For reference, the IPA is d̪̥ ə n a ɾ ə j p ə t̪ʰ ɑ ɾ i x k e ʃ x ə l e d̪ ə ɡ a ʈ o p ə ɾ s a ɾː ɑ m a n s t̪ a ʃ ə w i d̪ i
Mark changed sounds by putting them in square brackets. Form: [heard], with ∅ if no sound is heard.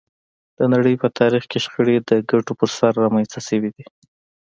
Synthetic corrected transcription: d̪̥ ə n a [ɽ] ə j p ə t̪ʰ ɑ ɾ i x k e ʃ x ə [ɽ] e d̪ ə ɡ a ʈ o p ə ɾ s a ɾː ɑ m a n s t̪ a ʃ ə w i d̪ i